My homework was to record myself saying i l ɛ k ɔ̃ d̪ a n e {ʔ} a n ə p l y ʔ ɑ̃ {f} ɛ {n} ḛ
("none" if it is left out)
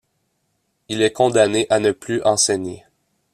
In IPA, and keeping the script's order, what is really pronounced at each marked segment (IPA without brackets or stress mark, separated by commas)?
ʔ, s, ɲ